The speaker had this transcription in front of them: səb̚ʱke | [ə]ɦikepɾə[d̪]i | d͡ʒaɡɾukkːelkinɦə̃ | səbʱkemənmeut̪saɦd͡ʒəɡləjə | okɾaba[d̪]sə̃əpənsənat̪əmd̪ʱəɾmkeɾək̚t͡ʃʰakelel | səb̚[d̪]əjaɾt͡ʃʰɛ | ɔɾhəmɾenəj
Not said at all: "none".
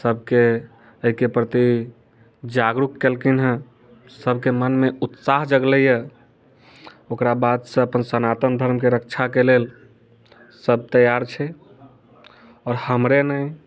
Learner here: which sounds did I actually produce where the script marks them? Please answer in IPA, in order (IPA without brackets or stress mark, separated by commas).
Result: ə, t̪, d̪, t̪